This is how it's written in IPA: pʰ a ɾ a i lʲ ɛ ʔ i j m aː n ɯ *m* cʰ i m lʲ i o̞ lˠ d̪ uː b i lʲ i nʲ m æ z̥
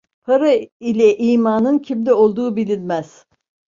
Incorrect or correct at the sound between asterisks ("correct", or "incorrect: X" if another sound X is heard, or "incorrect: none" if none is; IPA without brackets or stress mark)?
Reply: incorrect: n